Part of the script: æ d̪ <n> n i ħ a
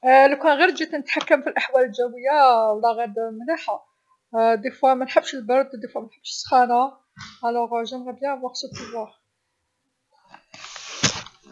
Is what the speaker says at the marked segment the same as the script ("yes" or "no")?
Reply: no